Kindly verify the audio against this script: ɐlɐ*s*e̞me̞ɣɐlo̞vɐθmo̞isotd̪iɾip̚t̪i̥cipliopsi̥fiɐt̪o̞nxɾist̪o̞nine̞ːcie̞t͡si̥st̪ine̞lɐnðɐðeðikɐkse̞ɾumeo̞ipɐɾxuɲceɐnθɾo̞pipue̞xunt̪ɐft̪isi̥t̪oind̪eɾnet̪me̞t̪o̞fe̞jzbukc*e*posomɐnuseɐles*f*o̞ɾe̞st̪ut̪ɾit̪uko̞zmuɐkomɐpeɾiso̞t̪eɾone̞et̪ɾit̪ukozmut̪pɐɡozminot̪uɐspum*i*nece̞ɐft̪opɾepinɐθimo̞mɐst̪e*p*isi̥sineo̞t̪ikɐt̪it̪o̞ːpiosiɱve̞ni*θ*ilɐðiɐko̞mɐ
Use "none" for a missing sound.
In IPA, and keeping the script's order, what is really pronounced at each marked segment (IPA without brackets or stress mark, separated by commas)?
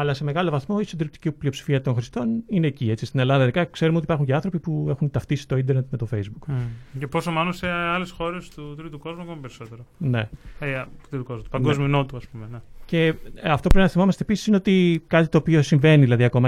s, e, x, e, p, ð